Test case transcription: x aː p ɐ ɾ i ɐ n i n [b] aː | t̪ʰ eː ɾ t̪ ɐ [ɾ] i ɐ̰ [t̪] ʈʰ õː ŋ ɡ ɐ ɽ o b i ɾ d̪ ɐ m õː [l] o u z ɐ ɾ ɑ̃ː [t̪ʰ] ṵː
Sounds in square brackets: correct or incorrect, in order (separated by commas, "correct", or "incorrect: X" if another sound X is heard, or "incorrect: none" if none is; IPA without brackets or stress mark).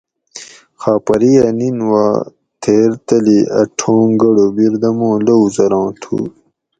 incorrect: w, incorrect: l, incorrect: none, correct, correct